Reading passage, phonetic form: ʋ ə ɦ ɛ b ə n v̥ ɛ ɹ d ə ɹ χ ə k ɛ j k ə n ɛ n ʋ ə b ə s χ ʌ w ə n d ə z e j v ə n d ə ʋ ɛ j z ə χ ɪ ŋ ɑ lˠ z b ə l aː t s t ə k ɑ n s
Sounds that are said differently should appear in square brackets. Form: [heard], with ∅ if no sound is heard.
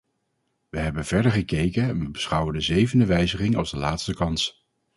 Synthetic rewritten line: ʋ ə ɦ ɛ b ə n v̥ ɛ ɹ d ə ɹ χ ə k [e] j k ə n ɛ n ʋ ə b ə s χ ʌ w ə n d ə z e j v ə n d ə ʋ ɛ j z ə χ ɪ ŋ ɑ lˠ z [d] ə l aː t s t ə k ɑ n s